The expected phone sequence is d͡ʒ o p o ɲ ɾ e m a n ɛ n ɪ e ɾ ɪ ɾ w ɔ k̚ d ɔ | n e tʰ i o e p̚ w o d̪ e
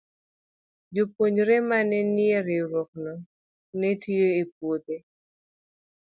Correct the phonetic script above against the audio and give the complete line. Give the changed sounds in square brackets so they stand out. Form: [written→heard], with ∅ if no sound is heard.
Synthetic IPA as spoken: d͡ʒ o p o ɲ ɾ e m a n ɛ n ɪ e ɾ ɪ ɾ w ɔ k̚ [d→n] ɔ | n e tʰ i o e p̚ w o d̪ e